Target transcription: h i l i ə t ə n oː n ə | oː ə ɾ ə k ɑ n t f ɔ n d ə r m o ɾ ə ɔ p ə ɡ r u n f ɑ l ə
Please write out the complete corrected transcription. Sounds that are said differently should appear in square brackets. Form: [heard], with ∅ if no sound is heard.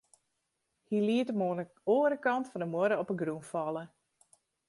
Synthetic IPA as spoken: h i l i ə t ə [m] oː n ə | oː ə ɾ ə k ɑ n t f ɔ n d ə [∅] m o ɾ ə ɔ p ə ɡ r u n f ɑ l ə